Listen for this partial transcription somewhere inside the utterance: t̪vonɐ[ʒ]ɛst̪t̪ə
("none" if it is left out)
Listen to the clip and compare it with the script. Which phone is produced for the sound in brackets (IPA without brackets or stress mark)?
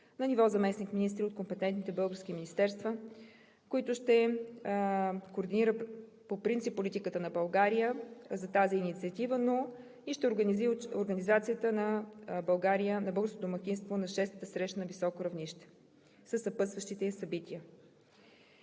ʃ